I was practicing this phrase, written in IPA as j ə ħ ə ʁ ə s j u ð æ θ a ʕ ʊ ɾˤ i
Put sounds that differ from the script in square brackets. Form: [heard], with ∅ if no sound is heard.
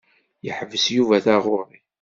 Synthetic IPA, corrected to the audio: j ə ħ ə [v] ə s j u [v] æ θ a [ʁ] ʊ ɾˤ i